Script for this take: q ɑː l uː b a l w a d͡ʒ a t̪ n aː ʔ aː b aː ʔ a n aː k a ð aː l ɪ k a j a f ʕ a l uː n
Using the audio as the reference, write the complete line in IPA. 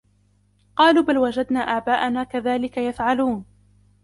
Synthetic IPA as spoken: q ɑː l uː b a l w a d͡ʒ a d̪ n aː ʔ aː b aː ʔ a n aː k a ð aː l ɪ k a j a f ʕ a l uː n